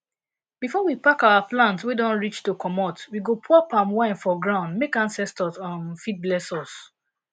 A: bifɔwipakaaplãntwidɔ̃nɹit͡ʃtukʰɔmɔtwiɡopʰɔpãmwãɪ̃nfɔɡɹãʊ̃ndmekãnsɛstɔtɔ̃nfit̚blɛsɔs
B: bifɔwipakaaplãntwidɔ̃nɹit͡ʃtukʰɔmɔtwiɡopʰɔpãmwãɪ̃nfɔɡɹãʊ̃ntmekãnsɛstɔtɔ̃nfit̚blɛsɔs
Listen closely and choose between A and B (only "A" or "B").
A